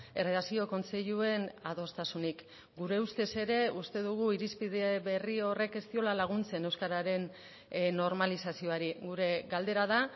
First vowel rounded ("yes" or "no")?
no